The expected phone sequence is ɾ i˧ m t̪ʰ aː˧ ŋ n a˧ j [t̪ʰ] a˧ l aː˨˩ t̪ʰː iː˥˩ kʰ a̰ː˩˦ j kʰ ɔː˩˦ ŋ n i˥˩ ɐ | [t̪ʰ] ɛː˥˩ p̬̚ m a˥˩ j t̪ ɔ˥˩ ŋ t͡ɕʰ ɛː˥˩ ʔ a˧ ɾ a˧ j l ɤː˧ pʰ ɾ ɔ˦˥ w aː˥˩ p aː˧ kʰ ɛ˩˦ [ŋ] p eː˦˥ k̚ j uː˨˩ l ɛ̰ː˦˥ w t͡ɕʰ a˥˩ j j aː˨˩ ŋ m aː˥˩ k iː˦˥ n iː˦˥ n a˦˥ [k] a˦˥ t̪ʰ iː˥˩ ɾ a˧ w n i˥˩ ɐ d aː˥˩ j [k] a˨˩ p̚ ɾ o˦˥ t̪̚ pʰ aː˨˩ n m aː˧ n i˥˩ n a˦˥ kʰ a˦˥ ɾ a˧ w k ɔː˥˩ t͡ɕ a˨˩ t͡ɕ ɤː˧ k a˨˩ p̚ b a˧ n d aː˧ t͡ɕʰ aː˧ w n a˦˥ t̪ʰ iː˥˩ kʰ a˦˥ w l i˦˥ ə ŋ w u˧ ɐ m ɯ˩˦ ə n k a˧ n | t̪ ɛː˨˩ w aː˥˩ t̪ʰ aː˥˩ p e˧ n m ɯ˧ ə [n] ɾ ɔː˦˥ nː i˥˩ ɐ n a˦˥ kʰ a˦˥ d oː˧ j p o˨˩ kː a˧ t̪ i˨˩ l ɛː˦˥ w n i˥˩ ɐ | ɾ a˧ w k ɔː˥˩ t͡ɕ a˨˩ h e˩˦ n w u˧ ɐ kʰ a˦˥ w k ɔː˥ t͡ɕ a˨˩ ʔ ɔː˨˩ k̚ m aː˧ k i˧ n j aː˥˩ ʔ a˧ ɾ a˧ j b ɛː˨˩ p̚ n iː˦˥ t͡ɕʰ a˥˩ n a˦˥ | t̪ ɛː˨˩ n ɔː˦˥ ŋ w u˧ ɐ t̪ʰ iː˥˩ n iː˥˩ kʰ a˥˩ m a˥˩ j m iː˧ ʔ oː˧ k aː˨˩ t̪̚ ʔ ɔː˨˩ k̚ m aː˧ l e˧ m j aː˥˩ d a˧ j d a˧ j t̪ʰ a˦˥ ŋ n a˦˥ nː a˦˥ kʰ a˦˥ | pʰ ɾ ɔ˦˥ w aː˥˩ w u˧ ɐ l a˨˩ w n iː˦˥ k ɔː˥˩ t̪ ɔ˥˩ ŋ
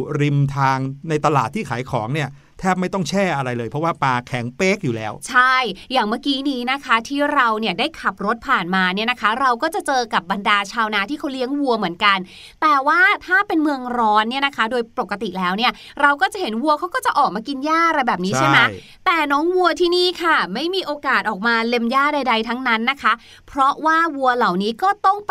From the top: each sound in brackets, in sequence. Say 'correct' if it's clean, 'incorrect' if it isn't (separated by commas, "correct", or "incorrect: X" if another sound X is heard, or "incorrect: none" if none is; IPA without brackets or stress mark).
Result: incorrect: t̪, correct, correct, incorrect: kʰ, incorrect: kʰ, incorrect: ŋ